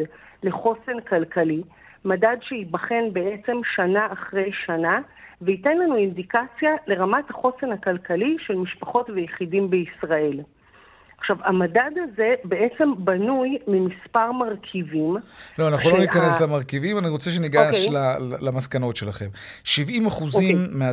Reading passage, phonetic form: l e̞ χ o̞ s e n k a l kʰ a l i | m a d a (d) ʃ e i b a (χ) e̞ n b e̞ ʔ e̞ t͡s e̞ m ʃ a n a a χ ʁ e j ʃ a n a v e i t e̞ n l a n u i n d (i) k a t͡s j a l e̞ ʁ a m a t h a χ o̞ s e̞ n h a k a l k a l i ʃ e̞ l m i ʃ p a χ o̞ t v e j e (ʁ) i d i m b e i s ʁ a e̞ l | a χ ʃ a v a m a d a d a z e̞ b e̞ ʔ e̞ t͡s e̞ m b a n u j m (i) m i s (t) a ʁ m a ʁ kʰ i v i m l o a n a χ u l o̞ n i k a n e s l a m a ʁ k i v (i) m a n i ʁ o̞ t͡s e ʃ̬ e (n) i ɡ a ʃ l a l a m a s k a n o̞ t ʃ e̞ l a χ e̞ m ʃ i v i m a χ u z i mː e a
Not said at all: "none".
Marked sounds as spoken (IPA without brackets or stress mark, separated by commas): d, χ, i, χ, i, p, i, n